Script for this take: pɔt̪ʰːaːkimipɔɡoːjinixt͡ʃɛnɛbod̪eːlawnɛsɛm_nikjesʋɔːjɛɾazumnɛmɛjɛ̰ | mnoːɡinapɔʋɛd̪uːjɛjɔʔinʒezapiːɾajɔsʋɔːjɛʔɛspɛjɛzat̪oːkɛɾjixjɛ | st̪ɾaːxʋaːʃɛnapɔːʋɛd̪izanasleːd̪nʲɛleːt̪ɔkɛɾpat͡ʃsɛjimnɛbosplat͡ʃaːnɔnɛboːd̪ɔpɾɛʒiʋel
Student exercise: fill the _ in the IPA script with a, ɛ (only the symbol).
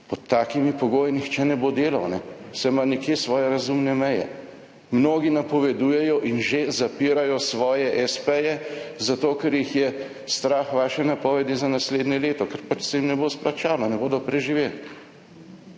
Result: a